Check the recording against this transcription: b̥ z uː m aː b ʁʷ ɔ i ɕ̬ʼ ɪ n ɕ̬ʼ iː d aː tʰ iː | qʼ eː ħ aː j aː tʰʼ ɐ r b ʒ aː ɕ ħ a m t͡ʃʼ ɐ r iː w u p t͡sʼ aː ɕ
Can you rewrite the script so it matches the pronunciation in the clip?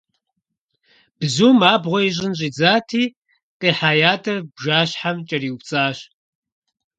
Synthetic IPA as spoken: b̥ z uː m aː b ʁʷ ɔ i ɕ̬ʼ ɪ n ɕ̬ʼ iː d͡z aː tʰ iː | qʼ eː ħ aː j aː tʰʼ ɐ r b ʒ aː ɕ ħ a m t͡ʃʼ ɐ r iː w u p t͡sʼ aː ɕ